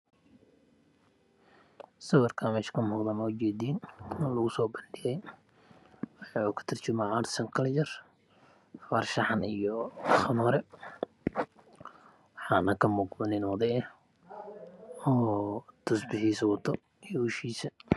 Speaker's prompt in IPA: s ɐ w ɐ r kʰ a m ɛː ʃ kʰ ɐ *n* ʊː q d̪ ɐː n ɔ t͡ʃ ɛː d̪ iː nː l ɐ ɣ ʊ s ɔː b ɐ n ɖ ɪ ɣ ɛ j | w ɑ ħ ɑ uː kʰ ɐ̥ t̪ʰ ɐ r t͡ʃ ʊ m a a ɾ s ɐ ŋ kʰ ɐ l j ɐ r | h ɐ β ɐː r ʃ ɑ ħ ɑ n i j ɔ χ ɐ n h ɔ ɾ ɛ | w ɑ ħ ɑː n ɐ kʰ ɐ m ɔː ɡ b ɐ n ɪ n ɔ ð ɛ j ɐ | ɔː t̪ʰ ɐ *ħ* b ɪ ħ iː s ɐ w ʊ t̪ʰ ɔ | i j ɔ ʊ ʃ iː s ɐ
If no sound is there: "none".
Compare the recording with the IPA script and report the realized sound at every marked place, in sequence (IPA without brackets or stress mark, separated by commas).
m, s